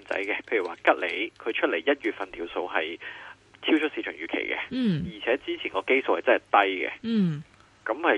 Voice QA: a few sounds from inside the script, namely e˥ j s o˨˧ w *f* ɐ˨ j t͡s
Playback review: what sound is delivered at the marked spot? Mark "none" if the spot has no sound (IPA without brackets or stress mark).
h